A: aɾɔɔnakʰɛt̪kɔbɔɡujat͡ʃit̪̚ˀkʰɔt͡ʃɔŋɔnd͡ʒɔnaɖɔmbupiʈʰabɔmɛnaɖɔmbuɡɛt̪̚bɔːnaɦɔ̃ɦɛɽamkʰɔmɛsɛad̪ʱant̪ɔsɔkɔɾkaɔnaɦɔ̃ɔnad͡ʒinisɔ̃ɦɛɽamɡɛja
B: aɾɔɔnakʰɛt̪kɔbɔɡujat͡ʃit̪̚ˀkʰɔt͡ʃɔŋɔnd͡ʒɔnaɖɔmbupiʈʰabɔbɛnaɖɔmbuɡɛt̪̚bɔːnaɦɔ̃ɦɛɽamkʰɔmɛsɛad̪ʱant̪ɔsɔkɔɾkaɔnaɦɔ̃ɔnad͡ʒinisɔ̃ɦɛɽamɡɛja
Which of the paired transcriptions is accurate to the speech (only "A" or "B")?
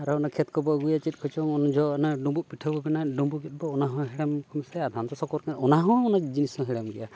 B